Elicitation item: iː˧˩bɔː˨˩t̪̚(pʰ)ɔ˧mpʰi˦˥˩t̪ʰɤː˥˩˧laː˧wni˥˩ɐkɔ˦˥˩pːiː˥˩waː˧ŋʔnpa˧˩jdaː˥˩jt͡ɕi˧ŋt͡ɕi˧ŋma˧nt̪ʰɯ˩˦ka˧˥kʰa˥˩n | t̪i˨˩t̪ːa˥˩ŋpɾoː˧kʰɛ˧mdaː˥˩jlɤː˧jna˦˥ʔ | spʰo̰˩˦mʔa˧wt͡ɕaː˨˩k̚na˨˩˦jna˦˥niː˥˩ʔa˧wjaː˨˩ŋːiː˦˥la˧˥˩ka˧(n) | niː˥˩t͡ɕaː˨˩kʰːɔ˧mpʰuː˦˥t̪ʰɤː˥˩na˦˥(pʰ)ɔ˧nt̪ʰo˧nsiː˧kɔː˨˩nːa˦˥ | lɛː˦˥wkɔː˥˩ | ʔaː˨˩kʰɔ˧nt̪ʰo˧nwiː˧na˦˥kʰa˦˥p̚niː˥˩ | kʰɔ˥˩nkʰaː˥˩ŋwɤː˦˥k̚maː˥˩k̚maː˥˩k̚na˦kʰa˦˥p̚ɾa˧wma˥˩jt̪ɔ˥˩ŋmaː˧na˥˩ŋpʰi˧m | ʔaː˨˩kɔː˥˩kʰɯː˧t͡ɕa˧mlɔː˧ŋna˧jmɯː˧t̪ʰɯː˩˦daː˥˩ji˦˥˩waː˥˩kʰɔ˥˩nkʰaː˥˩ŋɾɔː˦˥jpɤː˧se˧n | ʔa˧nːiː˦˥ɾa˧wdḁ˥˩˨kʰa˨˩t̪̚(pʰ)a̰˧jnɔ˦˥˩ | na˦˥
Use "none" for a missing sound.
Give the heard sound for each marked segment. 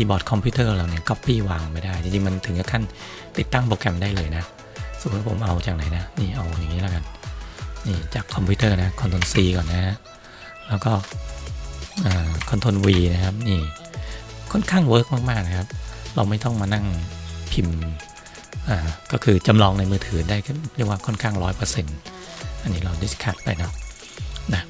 kʰ, n, kʰ, p

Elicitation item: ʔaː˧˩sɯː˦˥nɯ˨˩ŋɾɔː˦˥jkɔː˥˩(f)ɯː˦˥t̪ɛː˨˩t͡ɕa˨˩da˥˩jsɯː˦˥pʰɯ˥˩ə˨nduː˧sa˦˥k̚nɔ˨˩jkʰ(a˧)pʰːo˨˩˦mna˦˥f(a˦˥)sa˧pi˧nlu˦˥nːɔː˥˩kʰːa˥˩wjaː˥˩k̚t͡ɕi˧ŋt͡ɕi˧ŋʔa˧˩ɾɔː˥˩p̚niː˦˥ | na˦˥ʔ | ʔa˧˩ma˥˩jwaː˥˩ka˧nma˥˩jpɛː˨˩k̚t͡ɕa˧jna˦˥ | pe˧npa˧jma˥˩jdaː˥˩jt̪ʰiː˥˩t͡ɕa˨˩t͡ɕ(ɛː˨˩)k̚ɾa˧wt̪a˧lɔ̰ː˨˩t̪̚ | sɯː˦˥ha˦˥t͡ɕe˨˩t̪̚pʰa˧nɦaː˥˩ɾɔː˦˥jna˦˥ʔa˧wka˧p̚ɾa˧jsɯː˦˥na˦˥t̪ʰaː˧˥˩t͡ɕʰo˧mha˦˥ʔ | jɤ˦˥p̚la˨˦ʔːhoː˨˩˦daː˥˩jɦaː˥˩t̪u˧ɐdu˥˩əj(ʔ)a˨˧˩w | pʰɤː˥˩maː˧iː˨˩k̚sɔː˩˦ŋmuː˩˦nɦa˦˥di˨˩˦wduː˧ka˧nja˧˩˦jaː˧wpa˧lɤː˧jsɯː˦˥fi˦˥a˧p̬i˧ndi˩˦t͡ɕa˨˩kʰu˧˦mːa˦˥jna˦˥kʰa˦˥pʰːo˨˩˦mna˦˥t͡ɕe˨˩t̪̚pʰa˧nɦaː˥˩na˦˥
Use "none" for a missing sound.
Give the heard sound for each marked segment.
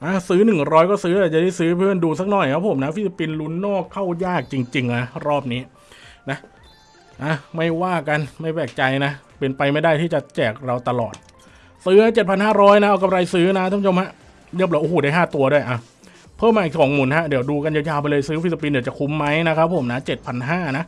s, a˦˥, i˦˥, ɛː˨˩, ʔ

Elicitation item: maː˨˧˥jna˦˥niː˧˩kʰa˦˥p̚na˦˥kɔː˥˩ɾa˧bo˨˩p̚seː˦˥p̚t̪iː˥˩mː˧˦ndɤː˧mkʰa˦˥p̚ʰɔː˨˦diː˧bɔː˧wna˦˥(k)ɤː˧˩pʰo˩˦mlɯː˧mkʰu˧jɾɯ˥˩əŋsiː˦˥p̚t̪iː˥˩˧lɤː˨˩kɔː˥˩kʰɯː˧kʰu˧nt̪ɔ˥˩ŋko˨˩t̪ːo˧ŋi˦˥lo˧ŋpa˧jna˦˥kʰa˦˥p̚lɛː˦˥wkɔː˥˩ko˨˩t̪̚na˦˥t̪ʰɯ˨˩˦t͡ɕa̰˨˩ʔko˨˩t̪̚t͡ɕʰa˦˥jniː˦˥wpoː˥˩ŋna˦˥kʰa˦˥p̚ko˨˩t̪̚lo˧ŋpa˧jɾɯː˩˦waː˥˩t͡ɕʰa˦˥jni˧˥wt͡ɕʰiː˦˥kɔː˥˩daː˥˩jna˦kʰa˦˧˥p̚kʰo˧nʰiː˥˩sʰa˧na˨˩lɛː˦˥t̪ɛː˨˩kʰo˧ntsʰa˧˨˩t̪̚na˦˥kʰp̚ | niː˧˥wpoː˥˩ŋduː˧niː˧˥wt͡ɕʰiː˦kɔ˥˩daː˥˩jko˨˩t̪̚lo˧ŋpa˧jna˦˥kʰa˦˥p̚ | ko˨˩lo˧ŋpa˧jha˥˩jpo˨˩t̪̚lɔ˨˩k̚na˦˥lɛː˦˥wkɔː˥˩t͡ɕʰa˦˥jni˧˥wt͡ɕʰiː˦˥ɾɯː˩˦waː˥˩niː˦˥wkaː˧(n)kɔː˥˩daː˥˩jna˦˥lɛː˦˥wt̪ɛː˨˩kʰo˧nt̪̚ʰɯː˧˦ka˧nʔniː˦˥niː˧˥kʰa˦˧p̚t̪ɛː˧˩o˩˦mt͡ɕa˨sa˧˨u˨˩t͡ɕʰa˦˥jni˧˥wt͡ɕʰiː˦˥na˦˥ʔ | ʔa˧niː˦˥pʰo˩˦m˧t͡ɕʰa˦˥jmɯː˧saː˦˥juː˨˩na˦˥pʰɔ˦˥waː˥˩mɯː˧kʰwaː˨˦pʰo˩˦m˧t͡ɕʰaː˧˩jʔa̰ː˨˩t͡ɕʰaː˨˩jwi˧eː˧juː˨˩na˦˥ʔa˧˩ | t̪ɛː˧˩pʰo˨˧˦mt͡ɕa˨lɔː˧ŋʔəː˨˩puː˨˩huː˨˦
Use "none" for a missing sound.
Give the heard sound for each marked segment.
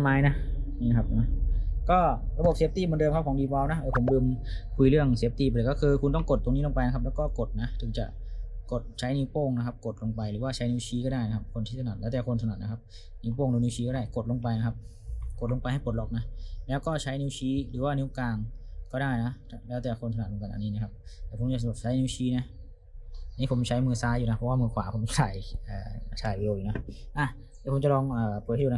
ʔ, ŋ

